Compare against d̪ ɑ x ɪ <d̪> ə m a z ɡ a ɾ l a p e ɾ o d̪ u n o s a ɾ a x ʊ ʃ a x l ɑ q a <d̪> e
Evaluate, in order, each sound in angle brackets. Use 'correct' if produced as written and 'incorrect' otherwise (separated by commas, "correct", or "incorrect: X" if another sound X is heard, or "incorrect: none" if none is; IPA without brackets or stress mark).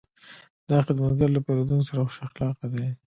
correct, correct